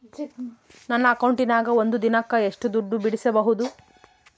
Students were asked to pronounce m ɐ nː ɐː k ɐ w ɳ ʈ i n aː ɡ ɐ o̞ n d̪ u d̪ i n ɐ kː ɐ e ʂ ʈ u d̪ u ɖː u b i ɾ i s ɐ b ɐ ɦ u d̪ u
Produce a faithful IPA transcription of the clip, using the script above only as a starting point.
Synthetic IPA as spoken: n ɐ nː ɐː k ɐ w ɳ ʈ i n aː ɡ ɐ o̞ n d̪ u d̪ i n ɐ kː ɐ e ʂ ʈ u d̪ u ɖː u b i ɽ i s ɐ b ɐ ɦ u d̪ u